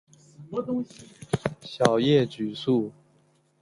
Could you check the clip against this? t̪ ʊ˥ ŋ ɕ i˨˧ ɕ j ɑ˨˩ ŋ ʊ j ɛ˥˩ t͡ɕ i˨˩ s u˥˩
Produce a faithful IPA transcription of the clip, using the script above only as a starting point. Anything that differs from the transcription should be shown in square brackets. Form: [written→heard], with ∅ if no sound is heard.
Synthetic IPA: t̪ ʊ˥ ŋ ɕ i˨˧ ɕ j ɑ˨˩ [ŋ→∅] ʊ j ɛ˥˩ t͡ɕ [i˨˩→y˨˩] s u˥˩